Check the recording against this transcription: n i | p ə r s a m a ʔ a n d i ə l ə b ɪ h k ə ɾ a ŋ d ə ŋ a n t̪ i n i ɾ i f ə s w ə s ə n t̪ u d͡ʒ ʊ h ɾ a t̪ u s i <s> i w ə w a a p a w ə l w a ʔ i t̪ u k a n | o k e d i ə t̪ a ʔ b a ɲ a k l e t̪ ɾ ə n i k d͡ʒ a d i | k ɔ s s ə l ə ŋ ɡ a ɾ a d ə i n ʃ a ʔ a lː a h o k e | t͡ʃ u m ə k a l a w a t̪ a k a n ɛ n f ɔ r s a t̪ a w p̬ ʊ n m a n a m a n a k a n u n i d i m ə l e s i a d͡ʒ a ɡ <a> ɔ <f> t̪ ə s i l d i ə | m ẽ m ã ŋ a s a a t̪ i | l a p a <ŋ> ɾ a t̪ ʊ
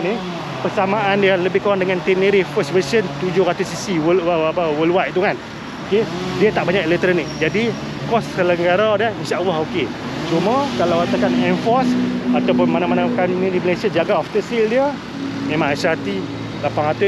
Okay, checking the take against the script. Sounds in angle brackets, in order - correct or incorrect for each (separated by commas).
correct, correct, correct, correct